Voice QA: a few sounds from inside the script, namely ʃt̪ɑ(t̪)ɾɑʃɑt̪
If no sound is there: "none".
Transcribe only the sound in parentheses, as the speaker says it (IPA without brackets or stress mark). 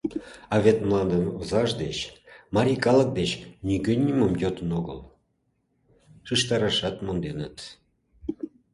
none